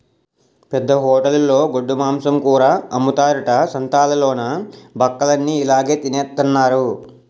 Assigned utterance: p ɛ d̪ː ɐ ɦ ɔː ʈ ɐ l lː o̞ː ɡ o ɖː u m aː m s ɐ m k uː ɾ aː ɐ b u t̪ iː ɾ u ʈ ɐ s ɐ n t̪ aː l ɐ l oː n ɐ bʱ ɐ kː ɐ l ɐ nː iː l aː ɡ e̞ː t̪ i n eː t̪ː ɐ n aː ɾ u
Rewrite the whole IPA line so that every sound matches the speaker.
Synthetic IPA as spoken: p ɛ d̪ː ɐ ɦ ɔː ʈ ɐ l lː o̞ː ɡ o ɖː u m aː m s ɐ m k uː ɾ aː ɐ m u t̪ aː ɾ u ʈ ɐ s ɐ n t̪ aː l ɐ l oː n ɐ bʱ ɐ kː ɐ l ɐ nː iː l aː ɡ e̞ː t̪ i n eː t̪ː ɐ nː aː ɾ u